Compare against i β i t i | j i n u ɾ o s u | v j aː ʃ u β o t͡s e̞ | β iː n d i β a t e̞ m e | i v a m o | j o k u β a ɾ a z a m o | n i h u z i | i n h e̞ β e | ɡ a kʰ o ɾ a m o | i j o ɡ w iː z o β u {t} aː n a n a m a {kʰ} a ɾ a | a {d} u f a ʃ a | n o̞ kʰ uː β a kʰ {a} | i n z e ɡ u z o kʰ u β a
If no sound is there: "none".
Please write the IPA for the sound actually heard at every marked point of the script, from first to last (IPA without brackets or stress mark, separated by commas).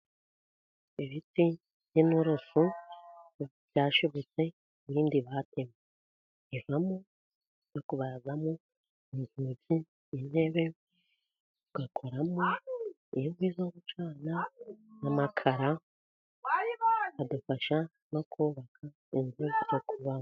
t͡ʃ, kʰ, d, a